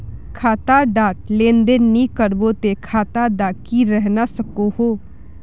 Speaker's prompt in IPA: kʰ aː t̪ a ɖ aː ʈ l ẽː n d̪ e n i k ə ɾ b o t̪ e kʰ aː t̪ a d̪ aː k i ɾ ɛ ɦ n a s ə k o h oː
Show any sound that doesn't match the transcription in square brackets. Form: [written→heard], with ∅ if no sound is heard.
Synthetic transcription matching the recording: kʰ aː t̪ a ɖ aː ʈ l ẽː n d̪ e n i k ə ɾ b o t̪ e kʰ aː t̪ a d̪ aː k i ɾ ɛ ɦ n a s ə k o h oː